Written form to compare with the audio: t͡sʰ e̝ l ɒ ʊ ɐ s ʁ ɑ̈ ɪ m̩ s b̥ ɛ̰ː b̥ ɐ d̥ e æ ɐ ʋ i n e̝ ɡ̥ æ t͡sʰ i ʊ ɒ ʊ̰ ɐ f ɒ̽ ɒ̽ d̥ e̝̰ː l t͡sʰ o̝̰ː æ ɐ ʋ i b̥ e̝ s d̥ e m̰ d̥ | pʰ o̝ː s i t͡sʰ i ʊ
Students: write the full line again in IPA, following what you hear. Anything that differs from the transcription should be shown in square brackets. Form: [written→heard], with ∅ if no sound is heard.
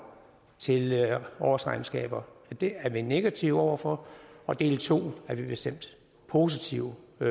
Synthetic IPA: t͡sʰ e̝ l ɒ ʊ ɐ s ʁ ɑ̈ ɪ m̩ s [b̥→ɡ̥] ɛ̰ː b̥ ɐ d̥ e æ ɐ ʋ i n e̝ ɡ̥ æ t͡sʰ i ʊ ɒ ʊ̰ ɐ f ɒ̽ ɒ̽ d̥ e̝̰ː l t͡sʰ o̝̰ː æ ɐ ʋ i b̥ e̝ s d̥ e m̰ d̥ | pʰ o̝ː s i t͡sʰ i ʊ

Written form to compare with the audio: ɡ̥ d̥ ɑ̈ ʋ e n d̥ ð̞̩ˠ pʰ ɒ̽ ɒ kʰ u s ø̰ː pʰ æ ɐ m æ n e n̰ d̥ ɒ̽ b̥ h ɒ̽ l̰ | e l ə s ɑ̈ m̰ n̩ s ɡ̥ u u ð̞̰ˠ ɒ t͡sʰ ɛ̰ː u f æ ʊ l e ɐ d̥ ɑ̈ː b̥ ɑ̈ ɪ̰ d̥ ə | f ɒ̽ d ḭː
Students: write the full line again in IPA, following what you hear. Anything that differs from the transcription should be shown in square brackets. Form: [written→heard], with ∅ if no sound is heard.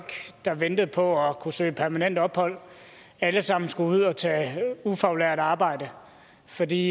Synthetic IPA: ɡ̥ d̥ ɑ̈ ʋ e n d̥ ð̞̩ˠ pʰ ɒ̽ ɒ kʰ u s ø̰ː pʰ æ ɐ m æ n e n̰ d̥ ɒ̽ b̥ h ɒ̽ l̰ | [e→æ] l ə s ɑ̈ m̰ n̩ s ɡ̥ u u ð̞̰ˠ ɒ t͡sʰ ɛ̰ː u f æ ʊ l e ɐ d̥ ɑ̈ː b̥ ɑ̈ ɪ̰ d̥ ə | f ɒ̽ d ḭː

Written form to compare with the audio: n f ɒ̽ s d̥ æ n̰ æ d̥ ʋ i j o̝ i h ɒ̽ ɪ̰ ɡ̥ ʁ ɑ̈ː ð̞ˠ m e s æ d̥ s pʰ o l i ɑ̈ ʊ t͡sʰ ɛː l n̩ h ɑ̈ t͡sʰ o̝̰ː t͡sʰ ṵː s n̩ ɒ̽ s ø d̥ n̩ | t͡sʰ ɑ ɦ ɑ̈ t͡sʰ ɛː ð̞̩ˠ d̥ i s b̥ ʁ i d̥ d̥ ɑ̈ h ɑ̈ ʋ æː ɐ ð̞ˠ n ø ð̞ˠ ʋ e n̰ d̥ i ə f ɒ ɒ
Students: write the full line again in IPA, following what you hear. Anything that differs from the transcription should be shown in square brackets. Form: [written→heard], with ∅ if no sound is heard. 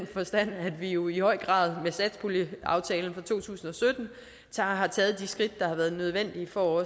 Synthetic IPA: n f ɒ̽ s d̥ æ n̰ æ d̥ ʋ i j o̝ i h ɒ̽ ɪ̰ ɡ̥ ʁ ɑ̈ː ð̞ˠ m e s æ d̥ s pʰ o l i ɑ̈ ʊ t͡sʰ ɛː l n̩ [h→f] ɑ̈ t͡sʰ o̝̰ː t͡sʰ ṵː s n̩ ɒ̽ s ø d̥ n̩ | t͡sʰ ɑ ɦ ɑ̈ t͡sʰ ɛː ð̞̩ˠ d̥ i s [b̥→ɡ̥] ʁ i d̥ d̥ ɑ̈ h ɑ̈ ʋ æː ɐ ð̞ˠ n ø ð̞ˠ ʋ e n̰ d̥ i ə f ɒ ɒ

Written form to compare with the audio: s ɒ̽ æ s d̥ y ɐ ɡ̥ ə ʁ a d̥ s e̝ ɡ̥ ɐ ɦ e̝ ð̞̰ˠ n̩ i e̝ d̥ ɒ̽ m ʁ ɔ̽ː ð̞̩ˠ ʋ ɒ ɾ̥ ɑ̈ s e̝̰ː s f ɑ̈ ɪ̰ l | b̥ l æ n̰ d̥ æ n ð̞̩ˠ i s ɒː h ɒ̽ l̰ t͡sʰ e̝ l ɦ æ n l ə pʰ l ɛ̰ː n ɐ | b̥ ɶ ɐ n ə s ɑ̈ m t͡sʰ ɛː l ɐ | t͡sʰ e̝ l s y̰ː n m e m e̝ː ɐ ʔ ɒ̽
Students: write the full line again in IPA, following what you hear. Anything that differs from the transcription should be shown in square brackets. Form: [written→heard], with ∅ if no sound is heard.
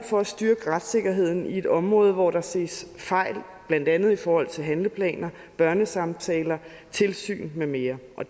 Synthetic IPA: [s→f] ɒ̽ æ s d̥ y ɐ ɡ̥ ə ʁ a d̥ s e̝ ɡ̥ ɐ ɦ e̝ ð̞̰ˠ n̩ i e̝ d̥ ɒ̽ m ʁ ɔ̽ː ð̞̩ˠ ʋ ɒ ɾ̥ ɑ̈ s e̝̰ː s f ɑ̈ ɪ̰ l | b̥ l æ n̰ d̥ æ n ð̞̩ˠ i [s→f] ɒː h ɒ̽ l̰ t͡sʰ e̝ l ɦ æ n l ə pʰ l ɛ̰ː n ɐ | b̥ ɶ ɐ n ə s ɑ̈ m t͡sʰ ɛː l ɐ | t͡sʰ e̝ l s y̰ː n m e m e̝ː ɐ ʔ ɒ̽

